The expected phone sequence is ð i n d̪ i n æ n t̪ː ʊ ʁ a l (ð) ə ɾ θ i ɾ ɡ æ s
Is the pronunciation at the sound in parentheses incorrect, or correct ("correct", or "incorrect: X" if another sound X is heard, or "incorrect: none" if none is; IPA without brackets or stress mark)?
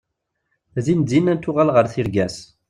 incorrect: ʁ